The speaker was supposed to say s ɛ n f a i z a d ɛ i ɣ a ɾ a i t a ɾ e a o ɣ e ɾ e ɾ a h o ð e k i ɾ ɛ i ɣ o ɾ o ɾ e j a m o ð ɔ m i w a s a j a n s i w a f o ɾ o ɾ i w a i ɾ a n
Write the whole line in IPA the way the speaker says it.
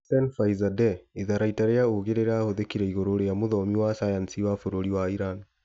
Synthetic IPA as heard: s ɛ n f a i z a d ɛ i ð a ɾ a i t a ɾ e a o ɣ e ɾ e ɾ a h o ð e k i ɾ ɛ i ɣ o ɾ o ɾ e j a m o ð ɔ m i w a s a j a n s i w a f o ɾ o ɾ i w a i ɾ a n